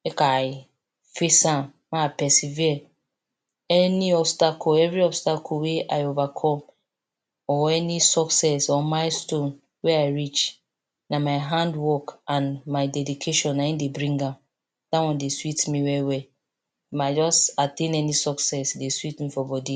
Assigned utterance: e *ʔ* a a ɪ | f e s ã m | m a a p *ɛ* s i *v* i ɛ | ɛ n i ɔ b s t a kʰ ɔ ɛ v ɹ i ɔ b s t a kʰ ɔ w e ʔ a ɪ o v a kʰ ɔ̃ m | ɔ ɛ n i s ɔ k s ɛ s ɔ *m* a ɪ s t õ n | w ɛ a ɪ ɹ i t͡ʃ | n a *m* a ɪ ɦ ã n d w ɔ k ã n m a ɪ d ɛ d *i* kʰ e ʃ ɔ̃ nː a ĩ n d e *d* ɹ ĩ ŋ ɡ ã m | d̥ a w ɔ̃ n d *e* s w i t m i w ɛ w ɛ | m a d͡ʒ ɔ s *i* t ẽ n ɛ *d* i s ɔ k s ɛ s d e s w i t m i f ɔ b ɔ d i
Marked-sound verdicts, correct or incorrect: incorrect, correct, correct, correct, correct, correct, incorrect, correct, incorrect, incorrect

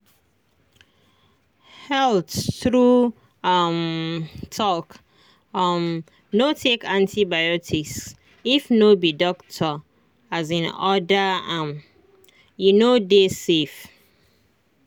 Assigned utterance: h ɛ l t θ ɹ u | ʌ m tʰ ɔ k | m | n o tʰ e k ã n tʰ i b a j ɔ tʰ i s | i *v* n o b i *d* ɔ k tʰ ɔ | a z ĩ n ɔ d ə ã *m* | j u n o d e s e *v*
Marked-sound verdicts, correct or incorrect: incorrect, correct, correct, incorrect

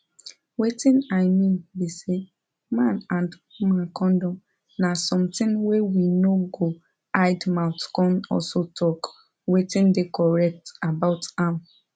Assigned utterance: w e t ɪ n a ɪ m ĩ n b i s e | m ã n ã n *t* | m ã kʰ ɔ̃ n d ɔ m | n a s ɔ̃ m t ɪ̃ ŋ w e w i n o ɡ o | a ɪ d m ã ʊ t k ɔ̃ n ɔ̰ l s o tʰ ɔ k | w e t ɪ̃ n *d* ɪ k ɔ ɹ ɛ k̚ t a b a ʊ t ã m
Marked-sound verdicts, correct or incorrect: incorrect, correct

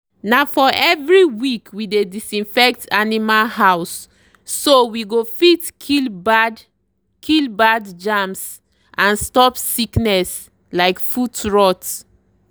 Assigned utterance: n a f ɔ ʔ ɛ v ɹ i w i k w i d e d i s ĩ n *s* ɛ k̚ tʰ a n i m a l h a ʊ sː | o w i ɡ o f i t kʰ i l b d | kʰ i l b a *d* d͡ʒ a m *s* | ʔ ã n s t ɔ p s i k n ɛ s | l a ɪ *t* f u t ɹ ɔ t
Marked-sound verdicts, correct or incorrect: incorrect, correct, correct, incorrect

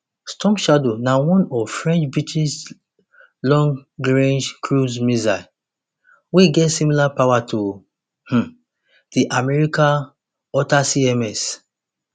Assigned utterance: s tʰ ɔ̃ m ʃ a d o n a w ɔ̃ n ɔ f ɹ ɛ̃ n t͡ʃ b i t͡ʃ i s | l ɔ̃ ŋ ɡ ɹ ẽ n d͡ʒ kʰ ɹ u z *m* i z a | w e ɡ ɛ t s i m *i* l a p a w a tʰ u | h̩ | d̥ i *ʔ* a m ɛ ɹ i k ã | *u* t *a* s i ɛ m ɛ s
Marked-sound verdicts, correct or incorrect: correct, correct, correct, incorrect, correct

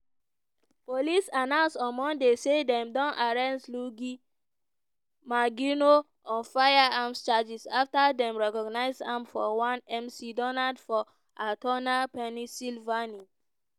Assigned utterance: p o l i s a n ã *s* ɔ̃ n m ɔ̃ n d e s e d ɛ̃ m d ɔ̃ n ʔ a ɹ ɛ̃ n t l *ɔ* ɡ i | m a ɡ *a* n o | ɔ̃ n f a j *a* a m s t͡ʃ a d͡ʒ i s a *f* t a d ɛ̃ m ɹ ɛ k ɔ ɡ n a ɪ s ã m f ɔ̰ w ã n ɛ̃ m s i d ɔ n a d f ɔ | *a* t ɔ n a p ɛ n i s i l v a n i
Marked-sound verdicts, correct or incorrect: correct, incorrect, incorrect, correct, correct, correct

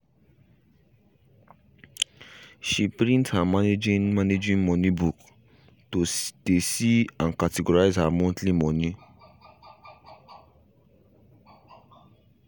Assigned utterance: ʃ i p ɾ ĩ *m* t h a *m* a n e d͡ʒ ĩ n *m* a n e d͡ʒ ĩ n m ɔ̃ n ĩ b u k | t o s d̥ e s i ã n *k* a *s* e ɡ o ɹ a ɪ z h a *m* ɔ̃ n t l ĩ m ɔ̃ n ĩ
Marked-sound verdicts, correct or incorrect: incorrect, correct, correct, correct, incorrect, correct

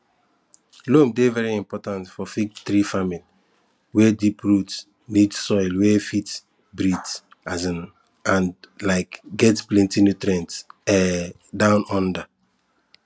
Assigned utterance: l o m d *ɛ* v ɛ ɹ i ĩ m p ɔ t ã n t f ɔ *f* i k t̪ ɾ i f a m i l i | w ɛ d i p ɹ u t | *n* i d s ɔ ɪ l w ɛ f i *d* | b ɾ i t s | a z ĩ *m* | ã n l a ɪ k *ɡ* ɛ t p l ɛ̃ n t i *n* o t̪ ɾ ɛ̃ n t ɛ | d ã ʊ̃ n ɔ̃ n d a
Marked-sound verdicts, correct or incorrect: incorrect, correct, correct, incorrect, incorrect, correct, correct

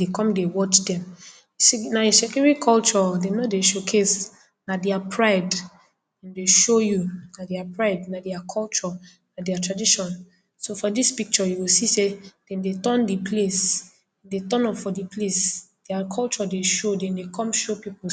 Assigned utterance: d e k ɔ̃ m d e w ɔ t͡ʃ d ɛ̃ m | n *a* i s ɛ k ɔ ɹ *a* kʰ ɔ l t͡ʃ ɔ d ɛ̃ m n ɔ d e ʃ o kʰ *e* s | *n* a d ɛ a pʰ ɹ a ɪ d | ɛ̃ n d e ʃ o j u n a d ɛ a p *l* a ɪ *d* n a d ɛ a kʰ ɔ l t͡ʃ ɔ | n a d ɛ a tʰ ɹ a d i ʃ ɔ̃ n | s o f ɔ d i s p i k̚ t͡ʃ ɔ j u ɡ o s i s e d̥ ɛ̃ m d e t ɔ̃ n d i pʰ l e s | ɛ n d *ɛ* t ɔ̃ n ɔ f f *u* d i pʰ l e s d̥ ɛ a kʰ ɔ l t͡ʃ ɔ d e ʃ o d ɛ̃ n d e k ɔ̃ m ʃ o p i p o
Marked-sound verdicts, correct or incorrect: correct, incorrect, correct, correct, incorrect, correct, incorrect, incorrect

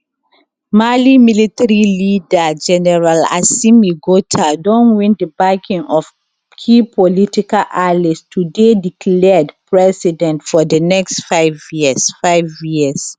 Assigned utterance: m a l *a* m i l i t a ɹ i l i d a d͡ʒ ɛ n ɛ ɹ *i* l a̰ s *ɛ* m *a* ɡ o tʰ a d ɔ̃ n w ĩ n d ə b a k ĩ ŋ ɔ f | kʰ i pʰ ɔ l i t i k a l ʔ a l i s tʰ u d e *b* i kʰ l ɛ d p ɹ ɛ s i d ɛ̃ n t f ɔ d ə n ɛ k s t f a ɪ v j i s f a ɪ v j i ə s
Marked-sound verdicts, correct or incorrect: incorrect, incorrect, incorrect, incorrect, incorrect

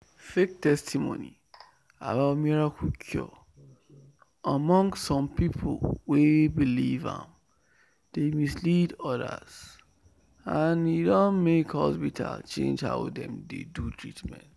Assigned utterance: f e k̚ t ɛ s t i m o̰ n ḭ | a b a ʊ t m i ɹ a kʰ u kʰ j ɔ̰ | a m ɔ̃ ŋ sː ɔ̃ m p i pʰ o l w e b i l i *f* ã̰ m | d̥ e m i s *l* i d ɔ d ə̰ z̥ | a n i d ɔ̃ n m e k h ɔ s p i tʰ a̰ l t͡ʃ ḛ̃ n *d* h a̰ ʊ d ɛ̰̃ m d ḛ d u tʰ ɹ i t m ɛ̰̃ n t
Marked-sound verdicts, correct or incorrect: incorrect, correct, incorrect

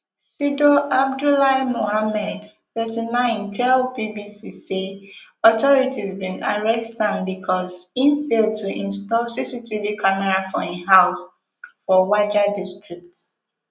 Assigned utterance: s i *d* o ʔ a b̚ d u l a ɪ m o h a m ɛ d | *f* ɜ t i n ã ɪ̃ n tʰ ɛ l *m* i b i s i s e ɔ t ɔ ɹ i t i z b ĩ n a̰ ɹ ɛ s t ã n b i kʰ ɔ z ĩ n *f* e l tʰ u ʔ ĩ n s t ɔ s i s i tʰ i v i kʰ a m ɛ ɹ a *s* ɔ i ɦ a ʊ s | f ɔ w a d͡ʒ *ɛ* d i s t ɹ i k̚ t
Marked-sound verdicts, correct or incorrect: correct, incorrect, incorrect, correct, incorrect, incorrect

